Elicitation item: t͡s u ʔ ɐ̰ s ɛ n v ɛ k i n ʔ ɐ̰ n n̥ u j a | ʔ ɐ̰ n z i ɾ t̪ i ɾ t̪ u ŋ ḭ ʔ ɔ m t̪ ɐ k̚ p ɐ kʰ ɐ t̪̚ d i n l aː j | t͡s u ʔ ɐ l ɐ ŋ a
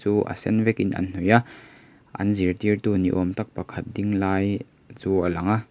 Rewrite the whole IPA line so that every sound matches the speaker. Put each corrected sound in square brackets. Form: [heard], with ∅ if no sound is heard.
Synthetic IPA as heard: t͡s u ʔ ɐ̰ s ɛ n v ɛ k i n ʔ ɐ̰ n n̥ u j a | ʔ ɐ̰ n z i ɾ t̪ i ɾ t̪ u [n] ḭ ʔ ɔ m t̪ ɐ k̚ p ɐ kʰ ɐ t̪̚ d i [ŋ] l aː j | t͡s u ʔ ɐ l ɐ ŋ a